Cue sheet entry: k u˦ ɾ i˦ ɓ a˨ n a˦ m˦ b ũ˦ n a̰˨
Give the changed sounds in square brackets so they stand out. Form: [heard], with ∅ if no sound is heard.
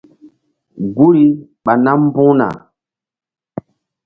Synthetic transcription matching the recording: [ɡ] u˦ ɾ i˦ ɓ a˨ n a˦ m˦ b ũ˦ n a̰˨